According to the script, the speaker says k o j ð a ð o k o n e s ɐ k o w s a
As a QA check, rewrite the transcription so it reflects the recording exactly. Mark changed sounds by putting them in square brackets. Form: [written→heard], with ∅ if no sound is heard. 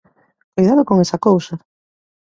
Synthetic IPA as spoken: k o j ð a ð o k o [n→ŋ] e s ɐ k o w s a